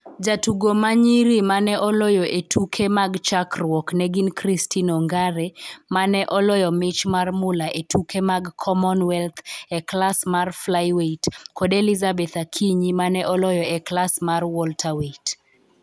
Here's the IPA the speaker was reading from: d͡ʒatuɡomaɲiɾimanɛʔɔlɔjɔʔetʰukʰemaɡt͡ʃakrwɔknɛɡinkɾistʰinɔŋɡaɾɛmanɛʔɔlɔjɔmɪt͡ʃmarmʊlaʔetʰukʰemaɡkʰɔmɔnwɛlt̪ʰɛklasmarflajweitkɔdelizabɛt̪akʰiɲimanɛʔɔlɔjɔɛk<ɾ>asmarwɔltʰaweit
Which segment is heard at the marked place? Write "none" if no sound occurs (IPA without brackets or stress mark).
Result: l